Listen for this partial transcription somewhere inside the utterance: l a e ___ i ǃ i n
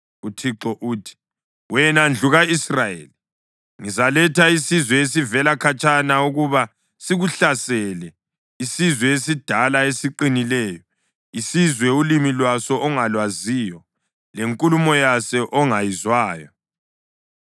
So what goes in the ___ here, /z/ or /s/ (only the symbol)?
s